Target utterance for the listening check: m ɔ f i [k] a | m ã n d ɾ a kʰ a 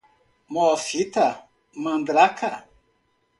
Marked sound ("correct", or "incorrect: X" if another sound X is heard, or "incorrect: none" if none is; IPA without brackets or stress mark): incorrect: t